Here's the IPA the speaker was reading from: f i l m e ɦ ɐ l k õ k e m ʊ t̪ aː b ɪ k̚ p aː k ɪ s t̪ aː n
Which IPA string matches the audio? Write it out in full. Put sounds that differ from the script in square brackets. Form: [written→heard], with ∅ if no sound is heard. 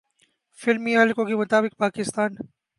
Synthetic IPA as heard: f [i→ɪ] l m [e→i] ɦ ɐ l k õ k e m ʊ t̪ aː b ɪ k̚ p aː k ɪ s t̪ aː n